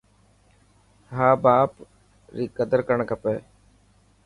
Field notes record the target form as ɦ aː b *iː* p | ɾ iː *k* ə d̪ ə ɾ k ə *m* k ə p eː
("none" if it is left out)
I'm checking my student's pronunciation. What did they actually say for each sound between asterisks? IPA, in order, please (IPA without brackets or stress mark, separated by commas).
aː, k, ɳ